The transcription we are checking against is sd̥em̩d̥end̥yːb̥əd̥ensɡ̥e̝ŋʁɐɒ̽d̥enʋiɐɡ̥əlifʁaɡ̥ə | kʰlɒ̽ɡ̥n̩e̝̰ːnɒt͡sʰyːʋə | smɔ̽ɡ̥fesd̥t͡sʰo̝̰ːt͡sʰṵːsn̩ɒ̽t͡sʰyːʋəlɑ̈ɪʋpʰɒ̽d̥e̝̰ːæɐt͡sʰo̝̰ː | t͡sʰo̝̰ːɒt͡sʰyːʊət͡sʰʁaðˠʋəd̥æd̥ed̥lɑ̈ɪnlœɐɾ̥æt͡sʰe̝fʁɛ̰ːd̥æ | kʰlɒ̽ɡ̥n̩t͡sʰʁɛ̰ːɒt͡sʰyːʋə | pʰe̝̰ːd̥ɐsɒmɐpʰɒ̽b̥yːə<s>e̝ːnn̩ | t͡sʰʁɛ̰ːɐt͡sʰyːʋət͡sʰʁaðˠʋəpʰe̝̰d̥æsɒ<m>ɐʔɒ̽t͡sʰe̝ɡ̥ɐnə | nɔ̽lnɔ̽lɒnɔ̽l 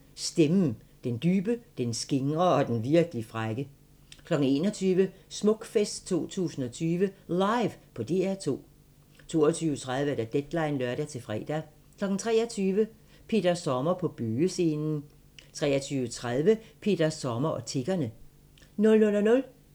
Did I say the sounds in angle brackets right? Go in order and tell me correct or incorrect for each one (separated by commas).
correct, correct